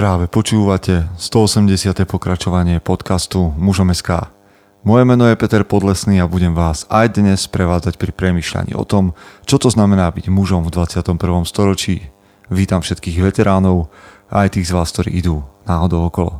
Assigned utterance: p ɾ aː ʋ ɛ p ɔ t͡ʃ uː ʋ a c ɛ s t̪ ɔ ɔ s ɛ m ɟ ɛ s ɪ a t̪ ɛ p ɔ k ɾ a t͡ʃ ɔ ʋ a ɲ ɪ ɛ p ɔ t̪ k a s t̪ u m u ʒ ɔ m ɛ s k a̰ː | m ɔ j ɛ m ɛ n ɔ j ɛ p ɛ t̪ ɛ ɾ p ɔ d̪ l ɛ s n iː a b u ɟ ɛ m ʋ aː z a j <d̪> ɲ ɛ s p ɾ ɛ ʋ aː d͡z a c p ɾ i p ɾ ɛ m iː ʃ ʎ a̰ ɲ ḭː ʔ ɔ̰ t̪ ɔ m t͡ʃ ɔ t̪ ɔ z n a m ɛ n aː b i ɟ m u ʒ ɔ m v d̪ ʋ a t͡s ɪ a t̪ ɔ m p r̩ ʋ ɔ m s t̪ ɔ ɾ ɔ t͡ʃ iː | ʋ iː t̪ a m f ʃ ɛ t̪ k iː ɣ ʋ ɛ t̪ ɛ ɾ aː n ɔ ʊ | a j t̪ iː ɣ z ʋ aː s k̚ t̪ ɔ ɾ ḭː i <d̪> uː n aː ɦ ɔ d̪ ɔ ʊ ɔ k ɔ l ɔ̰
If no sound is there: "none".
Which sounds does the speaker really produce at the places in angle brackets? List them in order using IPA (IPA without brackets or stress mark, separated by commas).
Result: d̪, d̪